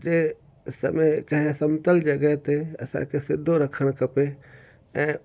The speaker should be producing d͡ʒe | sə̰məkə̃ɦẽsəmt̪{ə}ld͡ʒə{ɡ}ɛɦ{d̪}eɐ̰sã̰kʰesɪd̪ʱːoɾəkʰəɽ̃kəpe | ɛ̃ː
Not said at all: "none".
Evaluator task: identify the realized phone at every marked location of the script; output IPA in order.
ə, ɡ, t̪

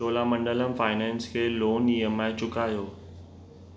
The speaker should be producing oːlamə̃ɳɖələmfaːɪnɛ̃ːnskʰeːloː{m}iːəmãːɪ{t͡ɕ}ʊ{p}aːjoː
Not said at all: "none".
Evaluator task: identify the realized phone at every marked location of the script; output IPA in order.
n, t͡ɕ, k

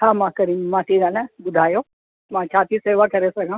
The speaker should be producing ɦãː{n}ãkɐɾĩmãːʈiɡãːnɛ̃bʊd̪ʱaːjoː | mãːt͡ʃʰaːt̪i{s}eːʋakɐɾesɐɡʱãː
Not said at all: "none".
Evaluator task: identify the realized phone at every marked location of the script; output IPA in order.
m, s

